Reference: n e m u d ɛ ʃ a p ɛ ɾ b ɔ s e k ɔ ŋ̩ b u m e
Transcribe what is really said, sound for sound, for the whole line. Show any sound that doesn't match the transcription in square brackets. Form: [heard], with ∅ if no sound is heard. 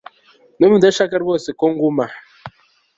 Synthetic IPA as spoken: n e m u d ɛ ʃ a [k] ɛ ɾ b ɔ s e k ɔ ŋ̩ [ɡ] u m [a]